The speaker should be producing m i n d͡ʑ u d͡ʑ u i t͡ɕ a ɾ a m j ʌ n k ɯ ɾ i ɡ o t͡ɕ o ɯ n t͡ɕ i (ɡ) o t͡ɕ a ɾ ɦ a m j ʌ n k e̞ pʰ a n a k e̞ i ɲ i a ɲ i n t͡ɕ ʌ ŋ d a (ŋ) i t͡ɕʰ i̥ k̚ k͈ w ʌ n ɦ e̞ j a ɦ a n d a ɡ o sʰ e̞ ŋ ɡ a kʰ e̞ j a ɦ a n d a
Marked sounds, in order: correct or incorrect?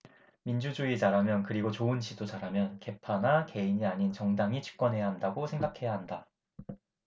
incorrect, correct

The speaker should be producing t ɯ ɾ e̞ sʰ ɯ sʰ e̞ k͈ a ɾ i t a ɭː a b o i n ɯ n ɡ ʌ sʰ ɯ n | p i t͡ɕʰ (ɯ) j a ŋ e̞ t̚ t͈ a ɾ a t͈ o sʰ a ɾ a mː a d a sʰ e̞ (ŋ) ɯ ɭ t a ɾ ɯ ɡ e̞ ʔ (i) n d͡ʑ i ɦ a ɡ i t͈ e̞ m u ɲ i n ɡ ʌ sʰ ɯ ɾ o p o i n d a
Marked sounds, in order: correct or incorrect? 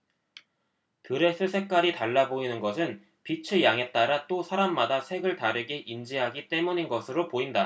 correct, incorrect, correct

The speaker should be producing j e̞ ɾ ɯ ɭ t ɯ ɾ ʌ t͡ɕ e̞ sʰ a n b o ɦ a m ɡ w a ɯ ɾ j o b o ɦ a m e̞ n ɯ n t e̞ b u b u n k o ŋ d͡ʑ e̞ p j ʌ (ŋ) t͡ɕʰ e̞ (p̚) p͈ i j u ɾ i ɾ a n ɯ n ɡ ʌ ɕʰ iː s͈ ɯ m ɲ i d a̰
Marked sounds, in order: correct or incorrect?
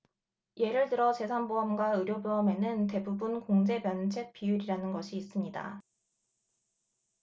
incorrect, incorrect

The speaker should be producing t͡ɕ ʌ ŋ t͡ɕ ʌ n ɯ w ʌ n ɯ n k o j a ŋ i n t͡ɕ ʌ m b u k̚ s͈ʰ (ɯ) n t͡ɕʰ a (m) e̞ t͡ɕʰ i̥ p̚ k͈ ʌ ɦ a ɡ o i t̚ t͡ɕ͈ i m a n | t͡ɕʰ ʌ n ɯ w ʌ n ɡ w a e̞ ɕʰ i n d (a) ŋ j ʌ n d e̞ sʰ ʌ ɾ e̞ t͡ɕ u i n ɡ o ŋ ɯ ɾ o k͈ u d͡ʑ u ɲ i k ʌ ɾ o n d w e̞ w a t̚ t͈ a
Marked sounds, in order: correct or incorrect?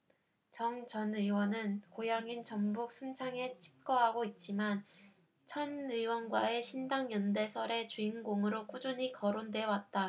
incorrect, incorrect, correct

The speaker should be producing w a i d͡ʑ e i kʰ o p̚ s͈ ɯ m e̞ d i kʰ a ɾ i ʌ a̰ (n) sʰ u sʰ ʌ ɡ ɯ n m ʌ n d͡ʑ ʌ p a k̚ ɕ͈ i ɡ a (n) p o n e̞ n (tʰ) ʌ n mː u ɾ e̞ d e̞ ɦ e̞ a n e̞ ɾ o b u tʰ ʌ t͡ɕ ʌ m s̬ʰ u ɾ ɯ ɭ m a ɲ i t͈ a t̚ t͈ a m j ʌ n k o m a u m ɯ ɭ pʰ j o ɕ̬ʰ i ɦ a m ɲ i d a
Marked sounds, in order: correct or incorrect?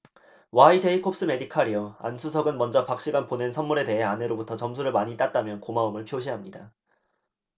correct, correct, incorrect

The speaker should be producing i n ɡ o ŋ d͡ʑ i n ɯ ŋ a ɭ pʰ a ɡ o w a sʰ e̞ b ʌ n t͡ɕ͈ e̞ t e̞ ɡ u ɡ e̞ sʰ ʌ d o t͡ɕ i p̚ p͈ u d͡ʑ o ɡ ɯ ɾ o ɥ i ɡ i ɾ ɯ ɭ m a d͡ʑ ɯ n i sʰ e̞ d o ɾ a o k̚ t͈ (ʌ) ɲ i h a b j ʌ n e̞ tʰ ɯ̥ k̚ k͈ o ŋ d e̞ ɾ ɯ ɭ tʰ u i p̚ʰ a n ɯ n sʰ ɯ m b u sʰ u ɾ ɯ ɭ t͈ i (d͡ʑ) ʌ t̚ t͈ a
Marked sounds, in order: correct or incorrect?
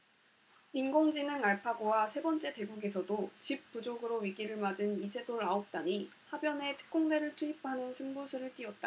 incorrect, incorrect

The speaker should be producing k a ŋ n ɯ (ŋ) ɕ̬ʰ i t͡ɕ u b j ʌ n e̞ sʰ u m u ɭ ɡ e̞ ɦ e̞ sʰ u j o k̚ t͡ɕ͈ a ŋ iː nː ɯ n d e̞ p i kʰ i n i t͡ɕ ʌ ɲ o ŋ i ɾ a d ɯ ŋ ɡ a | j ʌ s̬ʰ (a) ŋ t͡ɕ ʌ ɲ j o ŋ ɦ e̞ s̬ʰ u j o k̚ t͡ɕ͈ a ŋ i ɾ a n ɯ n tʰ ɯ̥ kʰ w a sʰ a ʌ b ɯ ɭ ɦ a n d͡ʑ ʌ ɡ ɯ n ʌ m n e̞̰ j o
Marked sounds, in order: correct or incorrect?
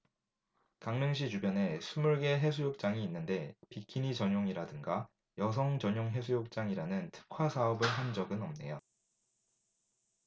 correct, incorrect

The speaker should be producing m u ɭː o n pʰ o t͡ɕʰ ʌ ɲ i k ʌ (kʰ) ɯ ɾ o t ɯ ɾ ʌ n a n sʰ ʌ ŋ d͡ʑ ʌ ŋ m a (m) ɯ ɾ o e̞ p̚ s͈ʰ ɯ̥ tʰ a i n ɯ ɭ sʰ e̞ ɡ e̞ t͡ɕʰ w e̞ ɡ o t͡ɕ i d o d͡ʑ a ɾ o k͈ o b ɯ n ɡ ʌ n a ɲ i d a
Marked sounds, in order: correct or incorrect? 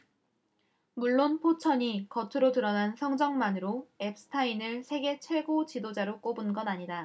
incorrect, incorrect

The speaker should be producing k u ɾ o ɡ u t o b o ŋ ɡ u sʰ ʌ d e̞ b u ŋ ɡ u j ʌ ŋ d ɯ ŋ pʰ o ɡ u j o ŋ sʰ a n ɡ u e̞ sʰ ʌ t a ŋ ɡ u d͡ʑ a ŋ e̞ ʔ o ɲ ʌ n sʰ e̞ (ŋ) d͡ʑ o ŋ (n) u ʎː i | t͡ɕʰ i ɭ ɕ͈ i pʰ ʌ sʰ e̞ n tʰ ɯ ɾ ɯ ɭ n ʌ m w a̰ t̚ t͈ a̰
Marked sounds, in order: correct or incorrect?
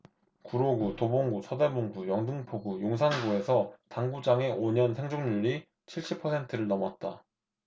correct, incorrect

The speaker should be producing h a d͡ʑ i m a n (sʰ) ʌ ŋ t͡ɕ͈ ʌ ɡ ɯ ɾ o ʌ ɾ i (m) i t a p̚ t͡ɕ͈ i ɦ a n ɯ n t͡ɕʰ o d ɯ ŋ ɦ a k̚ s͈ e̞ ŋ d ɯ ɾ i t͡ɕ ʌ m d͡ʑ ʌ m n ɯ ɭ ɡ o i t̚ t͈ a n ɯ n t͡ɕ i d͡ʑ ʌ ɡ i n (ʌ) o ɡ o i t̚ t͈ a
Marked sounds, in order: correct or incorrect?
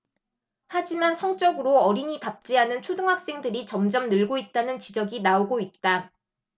correct, incorrect, incorrect

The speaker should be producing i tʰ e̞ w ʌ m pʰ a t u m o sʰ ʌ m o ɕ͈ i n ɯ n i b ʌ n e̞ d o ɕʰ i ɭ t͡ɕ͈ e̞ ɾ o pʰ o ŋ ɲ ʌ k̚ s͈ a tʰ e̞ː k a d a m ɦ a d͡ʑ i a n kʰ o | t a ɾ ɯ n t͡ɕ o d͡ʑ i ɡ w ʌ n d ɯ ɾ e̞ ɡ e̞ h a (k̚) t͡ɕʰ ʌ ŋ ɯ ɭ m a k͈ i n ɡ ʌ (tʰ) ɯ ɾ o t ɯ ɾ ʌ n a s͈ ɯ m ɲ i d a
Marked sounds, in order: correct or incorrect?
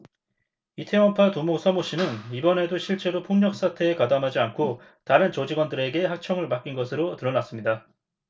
correct, incorrect

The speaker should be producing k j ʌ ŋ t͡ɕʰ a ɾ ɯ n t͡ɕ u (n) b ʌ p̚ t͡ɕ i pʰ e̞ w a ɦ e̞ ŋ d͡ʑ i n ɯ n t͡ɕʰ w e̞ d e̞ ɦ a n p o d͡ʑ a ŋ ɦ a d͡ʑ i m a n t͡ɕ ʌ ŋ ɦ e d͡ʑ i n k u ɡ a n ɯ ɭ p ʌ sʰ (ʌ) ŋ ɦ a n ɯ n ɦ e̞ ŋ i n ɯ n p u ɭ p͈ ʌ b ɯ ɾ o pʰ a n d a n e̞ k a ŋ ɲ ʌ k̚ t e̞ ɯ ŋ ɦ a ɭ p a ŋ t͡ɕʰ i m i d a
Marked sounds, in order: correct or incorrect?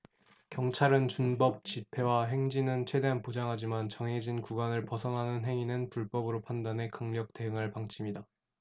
correct, correct

